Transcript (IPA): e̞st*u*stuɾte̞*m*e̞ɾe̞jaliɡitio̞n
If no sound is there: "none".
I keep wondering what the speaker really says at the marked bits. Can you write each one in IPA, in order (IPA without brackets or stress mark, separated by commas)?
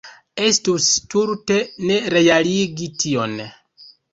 u, n